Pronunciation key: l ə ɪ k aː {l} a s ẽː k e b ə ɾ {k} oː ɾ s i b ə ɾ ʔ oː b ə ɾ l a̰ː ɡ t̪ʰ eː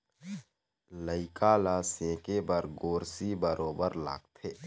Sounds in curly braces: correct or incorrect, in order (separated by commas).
correct, incorrect